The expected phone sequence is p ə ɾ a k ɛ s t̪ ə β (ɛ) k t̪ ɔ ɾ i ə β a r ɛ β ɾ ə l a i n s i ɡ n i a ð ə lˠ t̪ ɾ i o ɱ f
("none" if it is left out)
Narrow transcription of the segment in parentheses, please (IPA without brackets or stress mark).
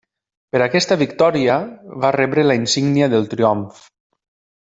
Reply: i